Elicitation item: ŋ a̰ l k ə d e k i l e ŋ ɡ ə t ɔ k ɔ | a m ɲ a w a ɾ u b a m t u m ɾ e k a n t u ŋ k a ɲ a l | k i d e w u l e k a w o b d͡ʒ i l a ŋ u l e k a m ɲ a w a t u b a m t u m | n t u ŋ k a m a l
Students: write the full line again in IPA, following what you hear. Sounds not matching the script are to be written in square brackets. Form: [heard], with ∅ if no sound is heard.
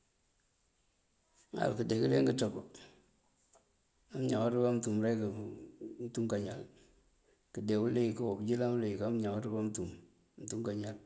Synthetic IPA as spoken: ŋ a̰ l k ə d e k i l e ŋ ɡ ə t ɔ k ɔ | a m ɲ a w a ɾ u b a m t u m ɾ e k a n t u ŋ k a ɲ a l | k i d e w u l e k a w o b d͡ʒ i l a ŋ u l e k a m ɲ a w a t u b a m t u m | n t u ŋ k a [ɲ] a l